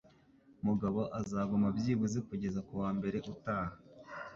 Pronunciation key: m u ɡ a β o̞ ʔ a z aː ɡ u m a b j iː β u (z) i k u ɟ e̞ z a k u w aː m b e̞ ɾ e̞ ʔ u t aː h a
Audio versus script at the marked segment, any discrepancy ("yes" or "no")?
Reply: no